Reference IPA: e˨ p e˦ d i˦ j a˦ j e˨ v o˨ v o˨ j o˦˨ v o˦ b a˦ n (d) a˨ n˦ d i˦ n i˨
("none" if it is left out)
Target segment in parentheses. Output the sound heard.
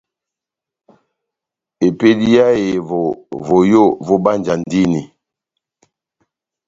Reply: d͡ʒ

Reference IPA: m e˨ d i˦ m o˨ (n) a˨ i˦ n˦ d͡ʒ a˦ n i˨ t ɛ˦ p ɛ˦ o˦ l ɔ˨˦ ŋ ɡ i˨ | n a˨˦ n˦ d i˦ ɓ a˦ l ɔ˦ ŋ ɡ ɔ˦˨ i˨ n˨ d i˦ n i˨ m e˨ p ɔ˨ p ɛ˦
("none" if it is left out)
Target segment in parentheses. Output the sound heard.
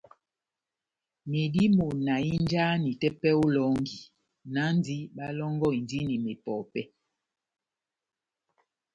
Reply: n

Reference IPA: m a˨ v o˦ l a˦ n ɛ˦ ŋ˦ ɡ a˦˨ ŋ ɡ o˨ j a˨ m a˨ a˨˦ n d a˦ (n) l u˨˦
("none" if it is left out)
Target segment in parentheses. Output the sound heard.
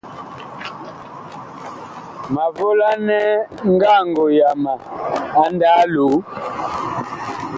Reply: none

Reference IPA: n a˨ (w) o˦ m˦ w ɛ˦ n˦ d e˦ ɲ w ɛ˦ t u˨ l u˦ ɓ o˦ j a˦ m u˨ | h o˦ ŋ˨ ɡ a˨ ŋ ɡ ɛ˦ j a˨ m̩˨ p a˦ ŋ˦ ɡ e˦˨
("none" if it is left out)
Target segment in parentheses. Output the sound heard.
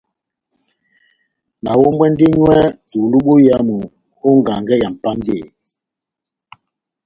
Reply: w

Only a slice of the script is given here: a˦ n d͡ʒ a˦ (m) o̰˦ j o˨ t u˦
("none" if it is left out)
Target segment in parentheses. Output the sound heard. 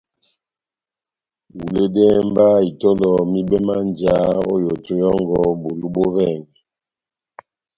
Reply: none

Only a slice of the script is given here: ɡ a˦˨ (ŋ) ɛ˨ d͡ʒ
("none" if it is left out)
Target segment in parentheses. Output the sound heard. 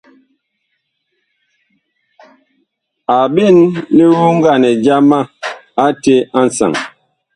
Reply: n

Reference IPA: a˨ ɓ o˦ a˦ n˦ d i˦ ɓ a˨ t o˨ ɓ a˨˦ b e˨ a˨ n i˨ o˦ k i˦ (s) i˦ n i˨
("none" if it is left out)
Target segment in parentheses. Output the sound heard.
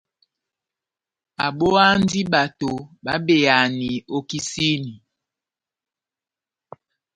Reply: s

